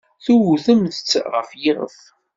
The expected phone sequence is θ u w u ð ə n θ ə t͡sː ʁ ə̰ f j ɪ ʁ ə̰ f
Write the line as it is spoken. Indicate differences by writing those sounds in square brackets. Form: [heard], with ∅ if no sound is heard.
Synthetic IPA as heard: θ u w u [θ] ə [m] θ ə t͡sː ʁ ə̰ f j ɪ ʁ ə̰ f